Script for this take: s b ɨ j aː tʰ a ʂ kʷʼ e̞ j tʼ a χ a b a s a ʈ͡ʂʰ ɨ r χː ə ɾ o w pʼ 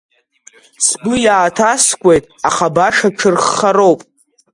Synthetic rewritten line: s b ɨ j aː tʰ a s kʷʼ e̞ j tʼ a χ a b a ʂ a ʈ͡ʂʰ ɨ r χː a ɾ o w pʼ